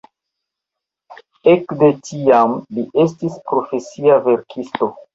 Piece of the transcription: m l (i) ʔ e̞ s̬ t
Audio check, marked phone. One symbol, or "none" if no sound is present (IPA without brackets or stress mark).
i